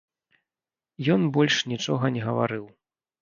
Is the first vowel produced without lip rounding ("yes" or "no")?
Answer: no